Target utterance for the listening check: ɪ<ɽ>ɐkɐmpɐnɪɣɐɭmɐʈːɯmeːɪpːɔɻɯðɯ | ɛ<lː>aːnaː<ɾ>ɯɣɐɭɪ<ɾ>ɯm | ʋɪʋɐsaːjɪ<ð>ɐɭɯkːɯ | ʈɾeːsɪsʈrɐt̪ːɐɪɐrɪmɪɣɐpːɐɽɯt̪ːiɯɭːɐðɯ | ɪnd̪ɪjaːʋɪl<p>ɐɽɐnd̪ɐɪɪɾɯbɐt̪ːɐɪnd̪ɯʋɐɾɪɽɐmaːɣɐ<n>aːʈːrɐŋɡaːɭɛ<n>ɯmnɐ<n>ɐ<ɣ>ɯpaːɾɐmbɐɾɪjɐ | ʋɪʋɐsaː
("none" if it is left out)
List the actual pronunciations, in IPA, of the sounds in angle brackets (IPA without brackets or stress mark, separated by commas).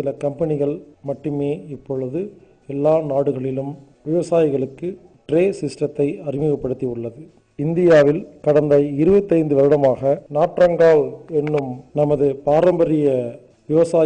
l, lː, ɽ, l, ɣ, k, n, nː, m, ð